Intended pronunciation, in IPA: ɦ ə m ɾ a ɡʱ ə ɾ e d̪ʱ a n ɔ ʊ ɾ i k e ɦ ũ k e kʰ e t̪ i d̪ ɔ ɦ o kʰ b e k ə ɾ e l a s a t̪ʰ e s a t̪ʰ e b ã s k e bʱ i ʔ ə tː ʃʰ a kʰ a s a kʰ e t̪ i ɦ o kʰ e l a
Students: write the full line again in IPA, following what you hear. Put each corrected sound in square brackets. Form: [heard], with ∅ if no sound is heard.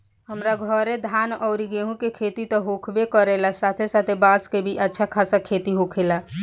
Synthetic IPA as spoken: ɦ ə m ɾ a ɡʱ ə ɾ e d̪ʱ a n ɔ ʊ ɾ i [ɡ] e ɦ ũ k e kʰ e t̪ i [t̪] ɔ ɦ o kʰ b e k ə ɾ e l a s a t̪ʰ e s a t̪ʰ e b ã s k e bʱ i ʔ ə tː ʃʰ a kʰ a s a kʰ e t̪ i ɦ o kʰ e l a